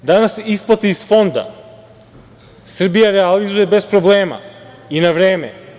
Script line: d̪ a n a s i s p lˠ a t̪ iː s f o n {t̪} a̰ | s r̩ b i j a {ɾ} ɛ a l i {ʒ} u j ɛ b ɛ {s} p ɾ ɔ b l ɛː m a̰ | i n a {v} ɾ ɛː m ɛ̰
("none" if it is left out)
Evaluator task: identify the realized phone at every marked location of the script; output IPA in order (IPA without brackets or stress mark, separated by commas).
d̪, ɾ, z, s, v